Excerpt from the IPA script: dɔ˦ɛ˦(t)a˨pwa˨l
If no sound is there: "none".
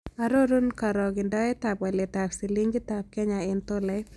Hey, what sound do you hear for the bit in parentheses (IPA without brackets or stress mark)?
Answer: t